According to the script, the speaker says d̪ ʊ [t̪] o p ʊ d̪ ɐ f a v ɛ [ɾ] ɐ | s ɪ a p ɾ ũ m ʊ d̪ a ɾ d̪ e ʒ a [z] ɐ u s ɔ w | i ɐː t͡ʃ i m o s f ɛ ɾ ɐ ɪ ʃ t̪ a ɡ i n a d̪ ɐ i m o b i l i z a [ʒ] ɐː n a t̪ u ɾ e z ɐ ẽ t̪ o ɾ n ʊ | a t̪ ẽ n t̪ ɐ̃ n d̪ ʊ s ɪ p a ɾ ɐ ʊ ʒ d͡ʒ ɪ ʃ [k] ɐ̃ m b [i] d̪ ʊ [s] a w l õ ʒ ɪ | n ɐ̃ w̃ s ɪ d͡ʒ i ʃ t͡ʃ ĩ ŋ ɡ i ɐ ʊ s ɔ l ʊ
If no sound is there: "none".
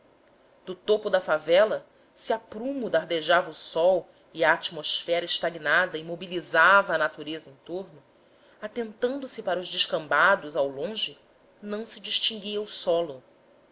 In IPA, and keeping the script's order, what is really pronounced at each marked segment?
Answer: t̪, l, v, v, k, a, z

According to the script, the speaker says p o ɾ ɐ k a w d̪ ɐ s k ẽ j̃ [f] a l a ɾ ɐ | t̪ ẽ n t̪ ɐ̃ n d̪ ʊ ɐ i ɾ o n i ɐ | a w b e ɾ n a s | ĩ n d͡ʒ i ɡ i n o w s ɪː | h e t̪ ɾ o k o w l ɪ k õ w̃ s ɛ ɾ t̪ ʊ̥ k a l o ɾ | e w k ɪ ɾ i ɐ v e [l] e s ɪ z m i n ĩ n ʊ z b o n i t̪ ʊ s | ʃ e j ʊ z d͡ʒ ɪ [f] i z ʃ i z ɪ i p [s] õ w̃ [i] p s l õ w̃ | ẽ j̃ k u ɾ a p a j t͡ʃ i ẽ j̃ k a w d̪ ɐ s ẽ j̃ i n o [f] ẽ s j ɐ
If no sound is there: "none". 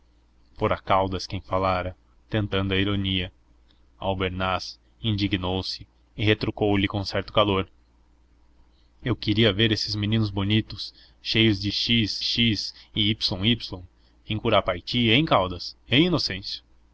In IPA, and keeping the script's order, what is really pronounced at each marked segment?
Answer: f, ɾ, ʃ, s, i, s

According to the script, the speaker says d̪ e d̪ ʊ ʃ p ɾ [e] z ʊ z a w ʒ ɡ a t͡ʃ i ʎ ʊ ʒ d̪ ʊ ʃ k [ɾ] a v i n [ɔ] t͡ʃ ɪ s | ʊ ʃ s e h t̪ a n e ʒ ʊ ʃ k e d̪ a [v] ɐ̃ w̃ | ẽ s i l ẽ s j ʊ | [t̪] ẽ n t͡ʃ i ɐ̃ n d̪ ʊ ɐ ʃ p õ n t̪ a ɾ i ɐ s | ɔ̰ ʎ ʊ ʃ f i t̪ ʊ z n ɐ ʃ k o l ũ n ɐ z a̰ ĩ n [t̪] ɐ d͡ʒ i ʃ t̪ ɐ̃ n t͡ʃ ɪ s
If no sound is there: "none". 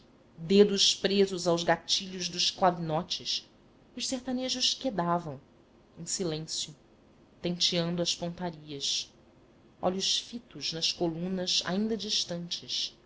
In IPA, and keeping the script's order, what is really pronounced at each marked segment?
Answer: e, l, ɔ, v, t̪, d̪

